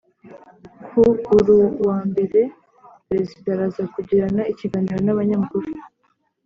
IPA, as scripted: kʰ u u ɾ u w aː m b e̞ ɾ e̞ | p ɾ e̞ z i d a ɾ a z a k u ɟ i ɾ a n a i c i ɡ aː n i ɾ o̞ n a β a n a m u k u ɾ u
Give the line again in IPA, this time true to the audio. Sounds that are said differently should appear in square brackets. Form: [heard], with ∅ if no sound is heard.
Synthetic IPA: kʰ u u ɾ u w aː m b e̞ ɾ e̞ | p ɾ e̞ z i d a ɾ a z a k u ɟ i ɾ a n a i c i ɡ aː n i ɾ o̞ n a β a [ɲ] a m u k u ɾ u